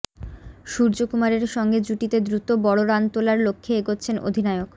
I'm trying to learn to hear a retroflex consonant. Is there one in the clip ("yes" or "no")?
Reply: yes